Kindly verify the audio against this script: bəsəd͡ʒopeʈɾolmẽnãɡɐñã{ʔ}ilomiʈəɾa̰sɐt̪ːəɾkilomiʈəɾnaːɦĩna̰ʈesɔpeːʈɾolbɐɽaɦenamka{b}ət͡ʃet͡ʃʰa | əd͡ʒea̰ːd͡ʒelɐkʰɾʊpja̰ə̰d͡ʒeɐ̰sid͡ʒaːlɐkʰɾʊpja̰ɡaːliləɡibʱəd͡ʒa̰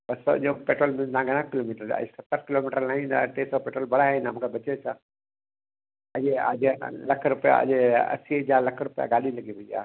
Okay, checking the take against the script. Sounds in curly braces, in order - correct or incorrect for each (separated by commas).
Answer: incorrect, correct